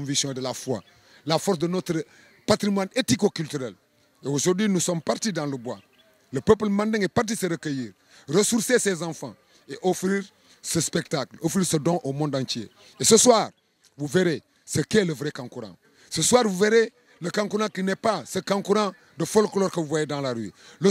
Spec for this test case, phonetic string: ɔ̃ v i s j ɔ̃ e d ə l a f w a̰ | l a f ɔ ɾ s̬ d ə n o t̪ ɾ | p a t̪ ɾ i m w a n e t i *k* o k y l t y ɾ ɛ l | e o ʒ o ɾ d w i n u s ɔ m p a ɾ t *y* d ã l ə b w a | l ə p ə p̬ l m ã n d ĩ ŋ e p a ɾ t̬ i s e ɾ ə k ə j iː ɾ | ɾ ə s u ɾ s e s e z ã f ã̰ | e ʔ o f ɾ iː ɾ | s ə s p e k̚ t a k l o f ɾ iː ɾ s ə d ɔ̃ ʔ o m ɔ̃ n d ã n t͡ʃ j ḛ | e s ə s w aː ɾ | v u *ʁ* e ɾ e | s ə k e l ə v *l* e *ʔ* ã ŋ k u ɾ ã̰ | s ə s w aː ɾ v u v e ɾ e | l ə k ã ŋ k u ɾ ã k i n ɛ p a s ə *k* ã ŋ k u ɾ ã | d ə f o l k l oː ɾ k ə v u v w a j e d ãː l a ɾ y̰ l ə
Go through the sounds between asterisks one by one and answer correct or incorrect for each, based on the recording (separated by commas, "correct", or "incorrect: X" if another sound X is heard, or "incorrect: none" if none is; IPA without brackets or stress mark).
correct, incorrect: i, incorrect: v, incorrect: ɾ, incorrect: k, correct